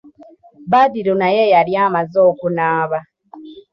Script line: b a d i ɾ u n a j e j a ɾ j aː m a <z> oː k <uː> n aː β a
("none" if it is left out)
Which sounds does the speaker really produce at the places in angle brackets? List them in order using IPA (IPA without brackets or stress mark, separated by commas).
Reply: z, u